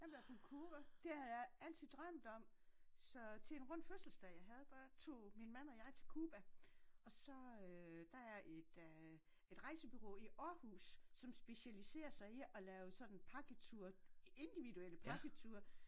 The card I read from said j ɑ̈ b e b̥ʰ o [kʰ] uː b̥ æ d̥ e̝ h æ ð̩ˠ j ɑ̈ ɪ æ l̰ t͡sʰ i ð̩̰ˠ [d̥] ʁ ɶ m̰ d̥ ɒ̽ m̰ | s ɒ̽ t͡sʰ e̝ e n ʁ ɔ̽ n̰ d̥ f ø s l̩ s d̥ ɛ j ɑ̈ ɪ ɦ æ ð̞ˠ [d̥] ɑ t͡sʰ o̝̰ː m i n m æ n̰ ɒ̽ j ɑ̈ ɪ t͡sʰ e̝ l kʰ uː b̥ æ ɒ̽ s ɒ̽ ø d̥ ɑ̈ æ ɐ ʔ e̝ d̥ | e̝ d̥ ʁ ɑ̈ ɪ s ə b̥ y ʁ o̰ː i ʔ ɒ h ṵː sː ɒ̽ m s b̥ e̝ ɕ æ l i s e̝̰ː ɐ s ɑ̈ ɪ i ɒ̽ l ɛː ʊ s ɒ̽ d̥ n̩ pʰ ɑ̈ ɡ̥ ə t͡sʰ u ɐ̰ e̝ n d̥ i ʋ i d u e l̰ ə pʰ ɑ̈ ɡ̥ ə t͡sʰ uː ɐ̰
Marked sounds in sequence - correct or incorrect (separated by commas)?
correct, correct, correct